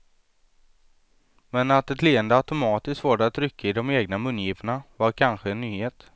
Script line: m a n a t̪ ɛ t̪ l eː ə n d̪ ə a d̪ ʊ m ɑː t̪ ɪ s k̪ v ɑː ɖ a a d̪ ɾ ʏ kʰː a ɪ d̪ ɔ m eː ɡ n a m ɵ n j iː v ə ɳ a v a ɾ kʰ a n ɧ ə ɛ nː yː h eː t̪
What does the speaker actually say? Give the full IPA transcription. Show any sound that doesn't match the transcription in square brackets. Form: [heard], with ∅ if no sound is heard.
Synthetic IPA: m [ɛ] n a t̪ ɛ t̪ l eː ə n d̪ ə a [t̪] ʊ m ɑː t̪ ɪ s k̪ v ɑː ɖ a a [t̪] ɾ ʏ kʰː a ɪ d̪ ɔ m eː ɡ n a m ɵ n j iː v ə ɳ a v a ɾ kʰ a n ɧ ə ɛ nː yː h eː t̪